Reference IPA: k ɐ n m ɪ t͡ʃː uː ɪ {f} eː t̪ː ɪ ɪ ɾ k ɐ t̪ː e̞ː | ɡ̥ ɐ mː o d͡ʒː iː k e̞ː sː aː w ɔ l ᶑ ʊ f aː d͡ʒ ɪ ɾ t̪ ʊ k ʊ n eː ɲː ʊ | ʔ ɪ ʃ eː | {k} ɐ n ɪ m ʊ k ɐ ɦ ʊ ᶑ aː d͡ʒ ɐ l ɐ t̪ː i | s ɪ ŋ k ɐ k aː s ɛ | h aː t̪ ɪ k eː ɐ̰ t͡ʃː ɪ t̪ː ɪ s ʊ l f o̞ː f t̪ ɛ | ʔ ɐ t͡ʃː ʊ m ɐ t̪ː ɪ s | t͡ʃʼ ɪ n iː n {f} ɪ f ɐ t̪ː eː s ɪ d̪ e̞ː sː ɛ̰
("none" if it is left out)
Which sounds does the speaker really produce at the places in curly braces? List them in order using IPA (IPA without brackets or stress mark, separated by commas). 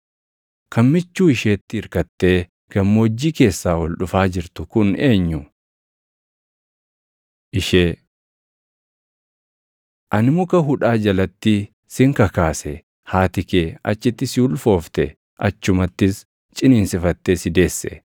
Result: ʃ, ʔ, s